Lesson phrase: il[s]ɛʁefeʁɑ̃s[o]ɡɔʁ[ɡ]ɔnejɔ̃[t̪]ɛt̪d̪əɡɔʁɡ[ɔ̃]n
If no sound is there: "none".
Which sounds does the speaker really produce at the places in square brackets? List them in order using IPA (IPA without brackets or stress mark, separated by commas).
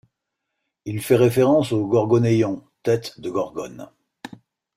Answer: f, o, ɡ, t̪, ɔ